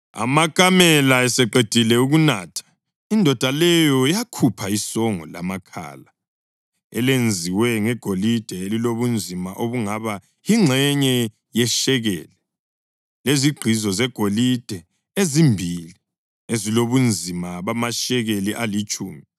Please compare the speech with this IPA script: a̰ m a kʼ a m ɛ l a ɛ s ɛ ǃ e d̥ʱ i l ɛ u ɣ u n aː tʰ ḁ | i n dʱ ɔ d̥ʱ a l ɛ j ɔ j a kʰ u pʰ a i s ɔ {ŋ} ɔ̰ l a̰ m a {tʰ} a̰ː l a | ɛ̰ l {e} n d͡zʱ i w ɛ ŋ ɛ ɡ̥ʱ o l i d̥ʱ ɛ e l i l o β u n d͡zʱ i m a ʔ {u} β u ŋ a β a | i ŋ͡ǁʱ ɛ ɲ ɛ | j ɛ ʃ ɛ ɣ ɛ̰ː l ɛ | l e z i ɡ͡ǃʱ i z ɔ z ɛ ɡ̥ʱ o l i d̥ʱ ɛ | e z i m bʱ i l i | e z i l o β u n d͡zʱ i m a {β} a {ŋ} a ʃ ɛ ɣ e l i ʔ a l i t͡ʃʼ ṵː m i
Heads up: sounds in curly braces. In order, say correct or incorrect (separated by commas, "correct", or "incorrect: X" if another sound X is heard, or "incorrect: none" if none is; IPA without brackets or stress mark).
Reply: correct, incorrect: kʰ, correct, incorrect: o, correct, incorrect: m